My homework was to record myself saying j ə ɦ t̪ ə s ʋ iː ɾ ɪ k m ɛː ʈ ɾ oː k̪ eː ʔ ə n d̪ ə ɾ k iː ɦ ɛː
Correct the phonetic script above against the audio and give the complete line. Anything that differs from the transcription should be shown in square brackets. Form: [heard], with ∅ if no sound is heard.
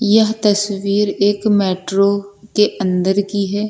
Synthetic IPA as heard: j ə ɦ t̪ ə s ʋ iː ɾ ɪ k m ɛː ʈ ɾ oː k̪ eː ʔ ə n d̪ ə ɾ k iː ɦ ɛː